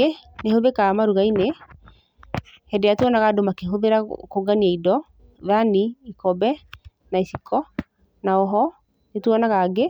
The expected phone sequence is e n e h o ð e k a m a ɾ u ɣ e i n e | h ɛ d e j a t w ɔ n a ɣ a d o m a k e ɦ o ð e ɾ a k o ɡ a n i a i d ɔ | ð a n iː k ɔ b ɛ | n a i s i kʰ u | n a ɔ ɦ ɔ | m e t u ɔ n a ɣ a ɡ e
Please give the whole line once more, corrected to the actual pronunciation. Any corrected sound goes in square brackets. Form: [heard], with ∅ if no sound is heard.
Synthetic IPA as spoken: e n e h o ð e k a m a ɾ u ɣ [a] i n e | h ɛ d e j a t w ɔ n a ɣ a d o m a k e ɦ o ð e ɾ a k o ɡ a n i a i d ɔ | ð a n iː k ɔ b ɛ | n a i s i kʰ [ɔ] | n a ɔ ɦ ɔ | [n] e t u ɔ n a ɣ a ɡ e